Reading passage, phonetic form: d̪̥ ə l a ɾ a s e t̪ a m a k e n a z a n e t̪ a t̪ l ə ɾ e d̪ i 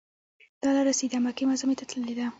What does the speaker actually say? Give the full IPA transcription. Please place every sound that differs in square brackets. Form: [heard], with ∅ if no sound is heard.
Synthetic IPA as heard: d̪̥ [ɑ] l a ɾ a s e [d̪] a m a k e [m] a z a [m] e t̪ a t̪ l ə [l] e d̪ [a]